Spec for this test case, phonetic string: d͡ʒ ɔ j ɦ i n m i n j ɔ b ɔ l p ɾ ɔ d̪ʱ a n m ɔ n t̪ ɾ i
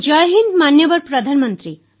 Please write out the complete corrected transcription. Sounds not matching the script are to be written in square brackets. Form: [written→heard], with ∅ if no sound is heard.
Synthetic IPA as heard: d͡ʒ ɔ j ɦ i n m [i→a] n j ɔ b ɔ [l→ɾ] p ɾ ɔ d̪ʱ a n m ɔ n t̪ ɾ i